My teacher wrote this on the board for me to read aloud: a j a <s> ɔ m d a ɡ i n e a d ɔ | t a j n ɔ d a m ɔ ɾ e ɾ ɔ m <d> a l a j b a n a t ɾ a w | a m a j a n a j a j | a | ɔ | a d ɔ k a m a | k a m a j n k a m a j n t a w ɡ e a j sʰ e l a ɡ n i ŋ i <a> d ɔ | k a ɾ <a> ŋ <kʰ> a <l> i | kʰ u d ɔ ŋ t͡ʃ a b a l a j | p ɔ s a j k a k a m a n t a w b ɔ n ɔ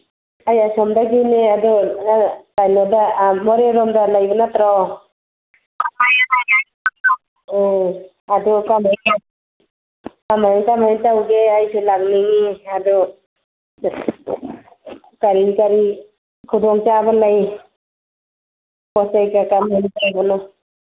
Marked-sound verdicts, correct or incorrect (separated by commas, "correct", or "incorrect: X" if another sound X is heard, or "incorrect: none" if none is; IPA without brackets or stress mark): correct, correct, correct, incorrect: i, incorrect: k, incorrect: ɾ